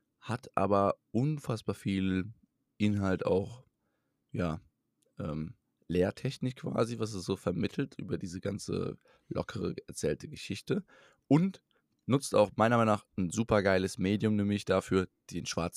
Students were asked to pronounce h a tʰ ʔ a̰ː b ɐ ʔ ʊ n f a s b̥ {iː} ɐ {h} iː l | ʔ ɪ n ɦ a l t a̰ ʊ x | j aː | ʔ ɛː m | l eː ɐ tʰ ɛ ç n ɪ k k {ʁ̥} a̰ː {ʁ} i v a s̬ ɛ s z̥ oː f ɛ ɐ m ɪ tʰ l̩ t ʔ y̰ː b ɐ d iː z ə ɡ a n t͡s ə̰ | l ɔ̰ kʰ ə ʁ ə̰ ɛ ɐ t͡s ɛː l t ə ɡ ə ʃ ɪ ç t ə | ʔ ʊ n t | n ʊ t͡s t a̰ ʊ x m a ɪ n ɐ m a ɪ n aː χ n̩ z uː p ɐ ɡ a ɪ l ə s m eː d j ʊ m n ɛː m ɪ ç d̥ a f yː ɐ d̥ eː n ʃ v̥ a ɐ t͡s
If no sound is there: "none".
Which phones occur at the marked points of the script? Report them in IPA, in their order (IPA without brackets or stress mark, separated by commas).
aː, f, v̥, z